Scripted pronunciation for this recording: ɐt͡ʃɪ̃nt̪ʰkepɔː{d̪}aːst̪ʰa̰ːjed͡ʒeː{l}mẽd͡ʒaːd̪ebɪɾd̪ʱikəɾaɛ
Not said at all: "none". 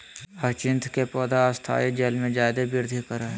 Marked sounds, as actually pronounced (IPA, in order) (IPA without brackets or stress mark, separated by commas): d̪, l